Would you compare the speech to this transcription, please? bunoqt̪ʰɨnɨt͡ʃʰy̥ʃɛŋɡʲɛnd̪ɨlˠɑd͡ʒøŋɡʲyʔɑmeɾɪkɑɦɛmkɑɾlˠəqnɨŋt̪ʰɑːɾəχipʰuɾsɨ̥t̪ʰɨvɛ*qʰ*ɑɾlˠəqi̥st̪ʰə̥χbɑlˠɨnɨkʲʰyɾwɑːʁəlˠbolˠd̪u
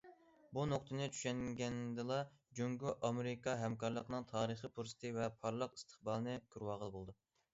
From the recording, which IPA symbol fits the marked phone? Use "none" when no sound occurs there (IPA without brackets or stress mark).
pʰ